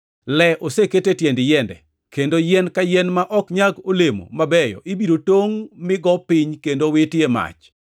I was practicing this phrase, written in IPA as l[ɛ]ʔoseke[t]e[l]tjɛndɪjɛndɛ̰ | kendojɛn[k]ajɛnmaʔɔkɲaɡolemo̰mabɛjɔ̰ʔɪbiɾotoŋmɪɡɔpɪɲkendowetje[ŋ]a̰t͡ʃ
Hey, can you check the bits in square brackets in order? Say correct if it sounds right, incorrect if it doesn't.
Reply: correct, correct, incorrect, correct, incorrect

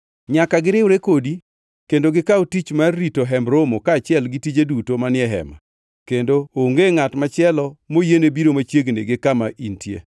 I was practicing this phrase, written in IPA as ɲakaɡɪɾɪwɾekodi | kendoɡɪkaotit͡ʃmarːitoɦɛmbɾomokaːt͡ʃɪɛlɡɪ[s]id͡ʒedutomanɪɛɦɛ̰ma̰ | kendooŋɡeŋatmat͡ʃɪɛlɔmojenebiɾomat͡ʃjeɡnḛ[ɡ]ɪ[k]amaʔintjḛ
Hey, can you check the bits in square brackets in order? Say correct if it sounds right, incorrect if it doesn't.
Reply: incorrect, correct, correct

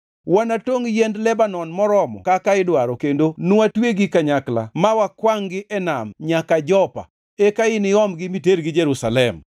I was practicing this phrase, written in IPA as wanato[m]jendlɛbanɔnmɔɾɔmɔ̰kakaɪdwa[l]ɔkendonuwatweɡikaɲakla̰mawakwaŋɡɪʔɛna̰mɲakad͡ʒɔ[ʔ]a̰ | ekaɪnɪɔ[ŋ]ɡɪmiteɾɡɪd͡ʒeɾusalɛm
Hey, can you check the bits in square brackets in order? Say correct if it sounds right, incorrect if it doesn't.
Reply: incorrect, incorrect, incorrect, incorrect

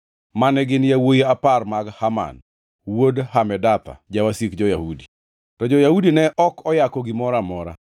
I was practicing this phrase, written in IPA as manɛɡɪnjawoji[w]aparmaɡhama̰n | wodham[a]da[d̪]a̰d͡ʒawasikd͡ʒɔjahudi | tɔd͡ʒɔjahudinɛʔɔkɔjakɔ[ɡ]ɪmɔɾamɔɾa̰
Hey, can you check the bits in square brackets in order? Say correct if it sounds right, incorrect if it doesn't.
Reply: incorrect, incorrect, incorrect, correct

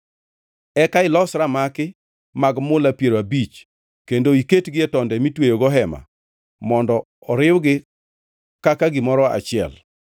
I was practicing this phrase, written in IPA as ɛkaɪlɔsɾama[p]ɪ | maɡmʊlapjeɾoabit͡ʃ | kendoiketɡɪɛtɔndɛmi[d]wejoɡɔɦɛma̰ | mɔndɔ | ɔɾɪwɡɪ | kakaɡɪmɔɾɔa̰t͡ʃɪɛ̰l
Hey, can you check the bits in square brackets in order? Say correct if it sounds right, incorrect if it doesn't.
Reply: incorrect, incorrect

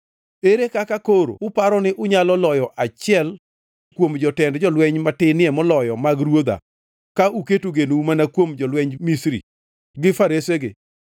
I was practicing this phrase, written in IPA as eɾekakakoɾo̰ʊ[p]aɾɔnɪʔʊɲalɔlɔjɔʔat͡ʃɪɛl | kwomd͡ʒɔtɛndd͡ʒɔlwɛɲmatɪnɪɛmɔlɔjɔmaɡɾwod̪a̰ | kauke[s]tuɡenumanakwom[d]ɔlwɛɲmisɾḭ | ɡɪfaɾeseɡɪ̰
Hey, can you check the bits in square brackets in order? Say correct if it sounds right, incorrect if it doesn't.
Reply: correct, incorrect, incorrect

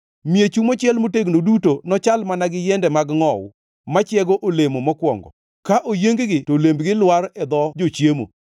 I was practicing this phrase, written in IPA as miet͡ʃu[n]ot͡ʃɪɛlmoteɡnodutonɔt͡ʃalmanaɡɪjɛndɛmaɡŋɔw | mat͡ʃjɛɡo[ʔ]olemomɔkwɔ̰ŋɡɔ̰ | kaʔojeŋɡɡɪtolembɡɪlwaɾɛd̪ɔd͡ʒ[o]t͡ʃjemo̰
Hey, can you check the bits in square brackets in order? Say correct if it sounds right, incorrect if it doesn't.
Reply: incorrect, correct, correct

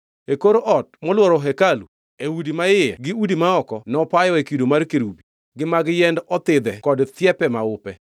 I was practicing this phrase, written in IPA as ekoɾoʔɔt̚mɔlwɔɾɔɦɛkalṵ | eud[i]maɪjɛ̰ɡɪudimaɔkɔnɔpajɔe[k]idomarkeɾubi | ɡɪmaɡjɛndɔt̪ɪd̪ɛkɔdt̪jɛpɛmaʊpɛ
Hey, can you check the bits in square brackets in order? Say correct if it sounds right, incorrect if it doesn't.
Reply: correct, correct

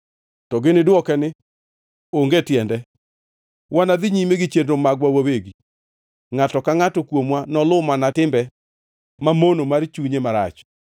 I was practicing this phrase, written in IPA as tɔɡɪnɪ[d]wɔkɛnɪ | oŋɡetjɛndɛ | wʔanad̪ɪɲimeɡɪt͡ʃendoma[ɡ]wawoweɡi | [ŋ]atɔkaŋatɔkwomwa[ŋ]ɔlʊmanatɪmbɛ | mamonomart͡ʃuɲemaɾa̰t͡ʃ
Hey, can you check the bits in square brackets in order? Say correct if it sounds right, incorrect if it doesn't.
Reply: correct, correct, correct, incorrect

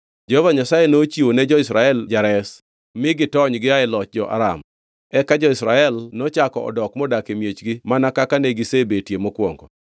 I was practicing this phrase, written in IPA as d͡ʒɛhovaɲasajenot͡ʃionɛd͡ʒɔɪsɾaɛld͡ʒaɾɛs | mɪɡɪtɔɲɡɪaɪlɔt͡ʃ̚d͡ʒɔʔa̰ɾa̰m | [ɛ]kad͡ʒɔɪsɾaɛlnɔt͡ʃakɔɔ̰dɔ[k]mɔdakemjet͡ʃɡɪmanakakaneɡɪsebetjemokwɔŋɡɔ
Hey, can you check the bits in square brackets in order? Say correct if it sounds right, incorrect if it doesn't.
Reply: correct, correct

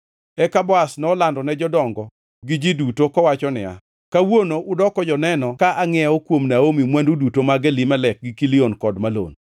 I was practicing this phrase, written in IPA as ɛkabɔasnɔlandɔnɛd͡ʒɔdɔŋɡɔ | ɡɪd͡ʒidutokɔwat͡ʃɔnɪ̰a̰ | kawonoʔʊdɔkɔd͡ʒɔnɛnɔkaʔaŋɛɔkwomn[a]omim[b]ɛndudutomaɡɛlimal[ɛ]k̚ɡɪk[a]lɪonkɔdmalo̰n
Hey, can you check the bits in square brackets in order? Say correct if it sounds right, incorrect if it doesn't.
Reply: correct, incorrect, correct, incorrect

